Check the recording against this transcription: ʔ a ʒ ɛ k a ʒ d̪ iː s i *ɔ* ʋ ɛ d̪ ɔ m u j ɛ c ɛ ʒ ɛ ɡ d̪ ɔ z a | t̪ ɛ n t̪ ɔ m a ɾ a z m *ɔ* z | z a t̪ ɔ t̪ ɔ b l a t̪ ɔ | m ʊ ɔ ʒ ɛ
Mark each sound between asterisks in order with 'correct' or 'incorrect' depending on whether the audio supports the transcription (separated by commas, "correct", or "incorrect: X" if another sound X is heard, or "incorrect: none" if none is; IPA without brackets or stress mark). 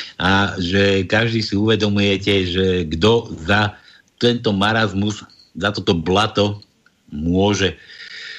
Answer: incorrect: u, incorrect: u